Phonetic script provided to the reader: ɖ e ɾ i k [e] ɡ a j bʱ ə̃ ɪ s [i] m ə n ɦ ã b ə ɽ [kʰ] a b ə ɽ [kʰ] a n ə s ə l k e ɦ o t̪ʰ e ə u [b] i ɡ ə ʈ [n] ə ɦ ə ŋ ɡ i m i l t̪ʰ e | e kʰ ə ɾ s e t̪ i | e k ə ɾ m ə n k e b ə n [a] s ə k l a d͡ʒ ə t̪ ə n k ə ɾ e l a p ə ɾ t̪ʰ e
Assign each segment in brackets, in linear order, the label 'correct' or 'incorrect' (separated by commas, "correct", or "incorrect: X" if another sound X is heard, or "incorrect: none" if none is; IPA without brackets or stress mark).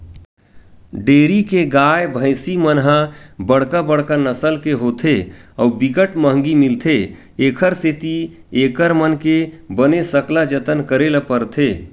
correct, correct, incorrect: k, incorrect: k, correct, incorrect: m, incorrect: e